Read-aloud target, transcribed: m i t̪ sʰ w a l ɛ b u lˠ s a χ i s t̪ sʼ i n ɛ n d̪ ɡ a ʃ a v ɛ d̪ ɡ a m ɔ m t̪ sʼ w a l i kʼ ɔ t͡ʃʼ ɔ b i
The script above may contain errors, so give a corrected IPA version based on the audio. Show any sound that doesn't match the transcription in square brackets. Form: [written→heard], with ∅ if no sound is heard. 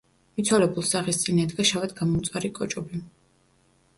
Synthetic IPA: m i t̪ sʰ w a l ɛ b u lˠ s a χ i s t̪ sʼ i n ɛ [n→∅] d̪ ɡ a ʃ a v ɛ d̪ ɡ a m ɔ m t̪ sʼ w a [l→ɾ] i kʼ ɔ t͡ʃʼ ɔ b i